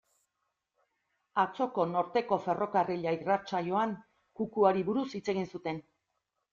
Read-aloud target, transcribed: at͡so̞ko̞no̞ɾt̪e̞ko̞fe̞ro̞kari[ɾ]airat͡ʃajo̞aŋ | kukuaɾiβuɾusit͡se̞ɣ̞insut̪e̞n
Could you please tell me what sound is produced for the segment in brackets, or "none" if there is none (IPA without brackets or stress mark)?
ʎ